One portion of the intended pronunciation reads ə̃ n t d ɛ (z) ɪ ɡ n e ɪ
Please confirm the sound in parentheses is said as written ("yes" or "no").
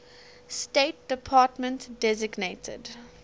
yes